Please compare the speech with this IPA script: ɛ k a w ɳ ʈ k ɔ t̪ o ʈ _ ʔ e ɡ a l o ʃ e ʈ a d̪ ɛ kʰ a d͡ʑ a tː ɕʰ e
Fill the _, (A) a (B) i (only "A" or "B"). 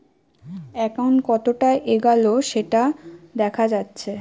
A